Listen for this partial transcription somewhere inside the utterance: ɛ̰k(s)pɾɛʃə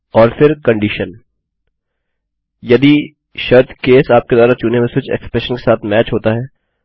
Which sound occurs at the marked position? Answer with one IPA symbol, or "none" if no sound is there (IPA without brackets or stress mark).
s